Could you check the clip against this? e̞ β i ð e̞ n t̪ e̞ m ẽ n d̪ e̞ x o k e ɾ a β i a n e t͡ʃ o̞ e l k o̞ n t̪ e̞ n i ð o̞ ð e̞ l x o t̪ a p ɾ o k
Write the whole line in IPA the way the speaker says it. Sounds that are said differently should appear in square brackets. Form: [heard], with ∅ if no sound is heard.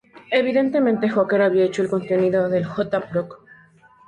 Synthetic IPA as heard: e̞ β i ð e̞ n t̪ e̞ m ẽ n [t̪] e̞ x o k e ɾ a β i a [∅] e t͡ʃ o̞ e l k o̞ n t̪ e̞ n i ð o̞ ð e̞ l x o t̪ a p ɾ o k